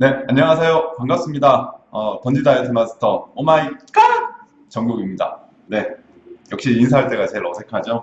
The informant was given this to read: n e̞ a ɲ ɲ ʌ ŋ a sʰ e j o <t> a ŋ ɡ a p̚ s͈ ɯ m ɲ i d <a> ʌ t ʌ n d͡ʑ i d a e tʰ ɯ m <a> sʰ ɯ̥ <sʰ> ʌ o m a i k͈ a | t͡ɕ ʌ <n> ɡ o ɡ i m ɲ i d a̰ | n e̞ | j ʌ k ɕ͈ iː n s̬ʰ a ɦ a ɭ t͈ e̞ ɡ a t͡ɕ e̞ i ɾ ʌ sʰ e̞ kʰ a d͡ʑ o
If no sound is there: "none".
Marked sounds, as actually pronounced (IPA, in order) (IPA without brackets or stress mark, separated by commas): k, a, a, tʰ, ŋ